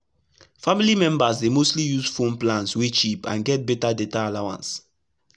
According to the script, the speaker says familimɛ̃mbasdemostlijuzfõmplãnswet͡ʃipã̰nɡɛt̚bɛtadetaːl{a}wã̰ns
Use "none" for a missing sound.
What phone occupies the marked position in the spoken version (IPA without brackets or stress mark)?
a